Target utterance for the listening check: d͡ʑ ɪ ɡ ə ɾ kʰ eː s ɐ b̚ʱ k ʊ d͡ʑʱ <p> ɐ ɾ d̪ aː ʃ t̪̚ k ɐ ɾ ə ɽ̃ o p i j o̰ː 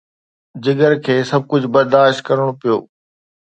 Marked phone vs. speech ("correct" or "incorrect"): incorrect